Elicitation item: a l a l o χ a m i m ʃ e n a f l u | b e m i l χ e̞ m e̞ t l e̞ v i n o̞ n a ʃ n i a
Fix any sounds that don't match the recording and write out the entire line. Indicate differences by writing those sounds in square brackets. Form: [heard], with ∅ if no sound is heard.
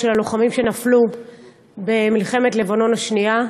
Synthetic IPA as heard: [e] l a l o χ a m i m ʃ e n a f l u | b e m i l χ e̞ m e̞ t l e̞ v [a] n o̞ n a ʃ n i a

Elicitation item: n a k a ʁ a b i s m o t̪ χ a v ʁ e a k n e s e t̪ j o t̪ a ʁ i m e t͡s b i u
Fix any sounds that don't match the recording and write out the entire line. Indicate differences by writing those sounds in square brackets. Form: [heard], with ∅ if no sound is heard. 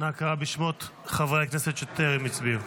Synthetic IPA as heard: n a k a ʁ a b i [ʃ] m o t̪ χ a v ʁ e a k n e s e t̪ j o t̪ [e] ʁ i m [i] t͡s b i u

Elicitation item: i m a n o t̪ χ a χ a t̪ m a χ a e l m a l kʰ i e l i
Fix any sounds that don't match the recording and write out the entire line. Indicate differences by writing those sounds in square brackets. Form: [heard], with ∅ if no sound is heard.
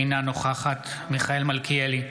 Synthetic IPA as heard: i [n] a n o [∅] χ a χ a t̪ m [i] χ a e l m a l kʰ i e l i

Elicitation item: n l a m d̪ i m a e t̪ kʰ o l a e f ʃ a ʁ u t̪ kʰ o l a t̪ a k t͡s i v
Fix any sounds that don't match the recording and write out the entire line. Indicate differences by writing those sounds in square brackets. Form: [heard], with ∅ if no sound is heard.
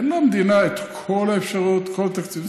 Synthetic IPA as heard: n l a m d̪ i [n] a e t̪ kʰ o l a e f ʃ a ʁ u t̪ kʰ o l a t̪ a k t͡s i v

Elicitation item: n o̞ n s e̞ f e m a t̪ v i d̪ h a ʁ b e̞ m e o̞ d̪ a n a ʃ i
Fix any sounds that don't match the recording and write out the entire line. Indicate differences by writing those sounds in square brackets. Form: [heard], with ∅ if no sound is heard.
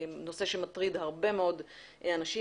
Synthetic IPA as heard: n o̞ [∅] s e̞ [ʃ] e m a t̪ [ʁ] i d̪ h a ʁ b e̞ m e o̞ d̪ a n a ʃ i

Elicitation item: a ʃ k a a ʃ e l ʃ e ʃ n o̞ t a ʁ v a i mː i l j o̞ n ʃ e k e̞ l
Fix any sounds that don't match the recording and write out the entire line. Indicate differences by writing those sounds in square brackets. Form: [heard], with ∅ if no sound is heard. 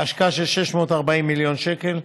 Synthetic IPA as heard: a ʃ k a a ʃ e l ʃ e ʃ [m] o̞ t a ʁ [b] a i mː i l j o̞ n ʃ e k e̞ l

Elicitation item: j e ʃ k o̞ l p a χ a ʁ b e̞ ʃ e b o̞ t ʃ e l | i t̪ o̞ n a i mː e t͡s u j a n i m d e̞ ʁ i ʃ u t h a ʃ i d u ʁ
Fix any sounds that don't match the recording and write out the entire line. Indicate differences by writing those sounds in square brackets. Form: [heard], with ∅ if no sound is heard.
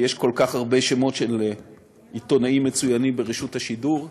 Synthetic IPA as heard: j e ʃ k o̞ l [k] a χ a ʁ b e̞ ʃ e [m] o̞ t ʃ e l | i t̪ o̞ n a i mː e t͡s u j a n i m [b] e̞ ʁ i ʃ u t h a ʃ i d u ʁ

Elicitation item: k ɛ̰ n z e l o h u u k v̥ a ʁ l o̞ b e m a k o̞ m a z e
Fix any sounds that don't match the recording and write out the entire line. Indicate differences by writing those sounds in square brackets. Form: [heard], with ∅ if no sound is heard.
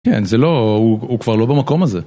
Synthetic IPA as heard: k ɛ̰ n z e l o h u u k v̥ a ʁ l o̞ b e m a k o̞ m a z e

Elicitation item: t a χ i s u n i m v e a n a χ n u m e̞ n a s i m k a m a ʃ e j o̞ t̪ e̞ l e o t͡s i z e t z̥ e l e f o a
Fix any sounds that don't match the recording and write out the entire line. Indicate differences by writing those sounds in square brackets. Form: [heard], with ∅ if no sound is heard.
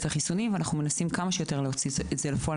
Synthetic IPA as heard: t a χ i s u n i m v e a n a χ n u m e̞ n a s i m k a m a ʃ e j o̞ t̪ e̞ l e o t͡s i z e t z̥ e l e f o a

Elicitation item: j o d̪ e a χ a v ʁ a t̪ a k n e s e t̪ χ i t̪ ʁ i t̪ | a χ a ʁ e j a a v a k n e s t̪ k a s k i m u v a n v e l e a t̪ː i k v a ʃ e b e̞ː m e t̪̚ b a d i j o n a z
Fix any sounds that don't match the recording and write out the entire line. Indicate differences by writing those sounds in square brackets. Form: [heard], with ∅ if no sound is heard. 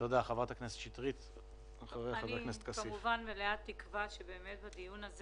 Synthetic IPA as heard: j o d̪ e a χ a v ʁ a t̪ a k n e s e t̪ [ʃ] i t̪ ʁ i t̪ | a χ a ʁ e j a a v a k n e s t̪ k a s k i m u v a n v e l e a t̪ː i k v a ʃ e b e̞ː m e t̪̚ b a d i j [u] n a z

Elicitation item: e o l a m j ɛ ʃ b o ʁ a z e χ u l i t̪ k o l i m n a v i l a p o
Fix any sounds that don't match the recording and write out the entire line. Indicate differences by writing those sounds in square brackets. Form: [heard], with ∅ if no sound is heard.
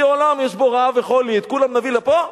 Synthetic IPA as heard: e o l a m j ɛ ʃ b o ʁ a [v] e χ [o] l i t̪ k [u] l [a] m n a v i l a p o

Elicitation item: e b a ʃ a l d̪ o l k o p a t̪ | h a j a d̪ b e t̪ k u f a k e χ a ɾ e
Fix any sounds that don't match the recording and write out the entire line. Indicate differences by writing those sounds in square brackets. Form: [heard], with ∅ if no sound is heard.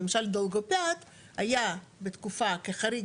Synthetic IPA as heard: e [m] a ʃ a l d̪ o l [ɡ] o p a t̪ | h a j a [∅] b e t̪ k u f a k e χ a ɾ [i]

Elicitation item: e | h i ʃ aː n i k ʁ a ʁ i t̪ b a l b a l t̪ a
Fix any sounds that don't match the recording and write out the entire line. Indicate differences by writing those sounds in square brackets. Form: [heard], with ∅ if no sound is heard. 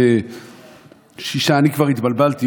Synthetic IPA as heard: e | [ʃ] i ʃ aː n i k [v] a ʁ i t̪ b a l b a l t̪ [i]

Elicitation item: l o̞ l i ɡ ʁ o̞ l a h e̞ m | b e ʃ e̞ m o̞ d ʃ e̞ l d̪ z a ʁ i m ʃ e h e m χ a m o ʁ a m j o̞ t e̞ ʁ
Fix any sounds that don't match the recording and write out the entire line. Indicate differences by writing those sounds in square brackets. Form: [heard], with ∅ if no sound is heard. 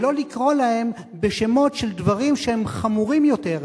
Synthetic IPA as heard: l o̞ l i [k] ʁ o̞ l a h e̞ m | b e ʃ e̞ m o̞ [t] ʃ e̞ l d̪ [v] a ʁ i m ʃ e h e m χ a m [u] ʁ [i] m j o̞ t e̞ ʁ

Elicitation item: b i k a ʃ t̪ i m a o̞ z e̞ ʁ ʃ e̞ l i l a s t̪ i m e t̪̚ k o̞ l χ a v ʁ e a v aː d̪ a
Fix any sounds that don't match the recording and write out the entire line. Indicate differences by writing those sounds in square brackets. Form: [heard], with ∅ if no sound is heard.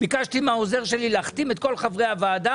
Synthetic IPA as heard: b i k a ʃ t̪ i m a o̞ z e̞ ʁ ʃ e̞ l i l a [χ] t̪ i m e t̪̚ k o̞ l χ a v ʁ e a v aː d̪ a

